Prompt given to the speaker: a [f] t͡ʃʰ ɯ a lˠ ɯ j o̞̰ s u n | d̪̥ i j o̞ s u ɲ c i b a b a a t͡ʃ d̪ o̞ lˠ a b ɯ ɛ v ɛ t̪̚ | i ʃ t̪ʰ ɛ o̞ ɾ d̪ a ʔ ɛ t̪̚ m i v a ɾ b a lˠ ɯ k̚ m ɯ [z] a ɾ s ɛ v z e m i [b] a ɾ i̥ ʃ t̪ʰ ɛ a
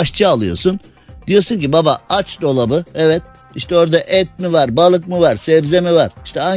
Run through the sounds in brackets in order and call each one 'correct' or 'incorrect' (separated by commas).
incorrect, incorrect, incorrect